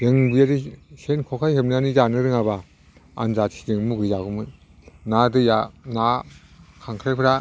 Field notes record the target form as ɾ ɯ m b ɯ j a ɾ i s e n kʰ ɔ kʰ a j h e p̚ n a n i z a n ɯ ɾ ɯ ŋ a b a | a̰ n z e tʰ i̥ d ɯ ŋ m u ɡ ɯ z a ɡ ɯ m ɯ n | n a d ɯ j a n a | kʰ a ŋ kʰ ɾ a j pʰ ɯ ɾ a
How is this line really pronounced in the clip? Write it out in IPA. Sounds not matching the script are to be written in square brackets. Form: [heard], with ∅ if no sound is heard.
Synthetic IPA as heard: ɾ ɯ [ŋ] b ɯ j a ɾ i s e n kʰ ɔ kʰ a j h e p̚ n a n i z a n ɯ ɾ ɯ ŋ a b a | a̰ n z [a] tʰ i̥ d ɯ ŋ m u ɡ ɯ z a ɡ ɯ m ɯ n | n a d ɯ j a n a | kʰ a ŋ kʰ ɾ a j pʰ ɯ ɾ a